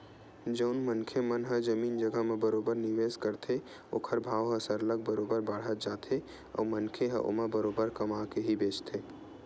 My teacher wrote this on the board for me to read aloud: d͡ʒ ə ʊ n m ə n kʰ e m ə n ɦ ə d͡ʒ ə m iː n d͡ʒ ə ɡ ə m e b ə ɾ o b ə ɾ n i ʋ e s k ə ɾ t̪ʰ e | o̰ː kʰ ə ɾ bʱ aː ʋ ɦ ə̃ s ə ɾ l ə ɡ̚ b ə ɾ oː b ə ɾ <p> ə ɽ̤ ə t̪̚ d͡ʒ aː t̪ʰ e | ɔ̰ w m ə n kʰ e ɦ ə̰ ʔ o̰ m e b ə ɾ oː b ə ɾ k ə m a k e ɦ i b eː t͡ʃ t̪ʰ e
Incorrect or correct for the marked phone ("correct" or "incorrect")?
incorrect